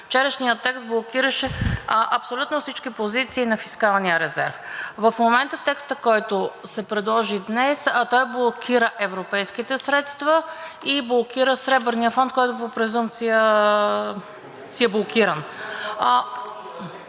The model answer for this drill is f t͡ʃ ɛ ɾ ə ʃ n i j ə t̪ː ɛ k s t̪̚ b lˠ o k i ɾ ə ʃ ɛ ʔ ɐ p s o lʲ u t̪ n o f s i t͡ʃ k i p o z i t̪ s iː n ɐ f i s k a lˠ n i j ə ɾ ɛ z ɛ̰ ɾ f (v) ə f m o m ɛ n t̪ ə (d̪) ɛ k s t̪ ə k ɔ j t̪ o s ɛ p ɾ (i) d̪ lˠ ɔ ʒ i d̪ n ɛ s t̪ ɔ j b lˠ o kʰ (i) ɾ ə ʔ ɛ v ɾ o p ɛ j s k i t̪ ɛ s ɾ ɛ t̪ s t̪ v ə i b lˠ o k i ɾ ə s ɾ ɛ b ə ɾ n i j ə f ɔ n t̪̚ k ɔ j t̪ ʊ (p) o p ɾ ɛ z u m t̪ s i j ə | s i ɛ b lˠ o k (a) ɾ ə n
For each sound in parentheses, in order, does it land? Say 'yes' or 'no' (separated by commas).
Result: yes, no, no, yes, yes, no